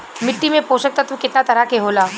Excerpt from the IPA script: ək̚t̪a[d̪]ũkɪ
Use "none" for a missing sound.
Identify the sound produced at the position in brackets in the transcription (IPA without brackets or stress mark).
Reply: t̪